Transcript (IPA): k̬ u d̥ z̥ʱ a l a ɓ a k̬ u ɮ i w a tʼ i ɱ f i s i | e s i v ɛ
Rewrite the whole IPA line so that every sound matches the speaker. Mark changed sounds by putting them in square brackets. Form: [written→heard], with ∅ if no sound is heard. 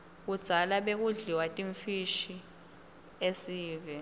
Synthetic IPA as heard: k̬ u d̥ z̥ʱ a l a ɓ [a→e] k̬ u ɮ i w a tʼ i ɱ f i [s→ʃ] i | e s [i→iː] v ɛ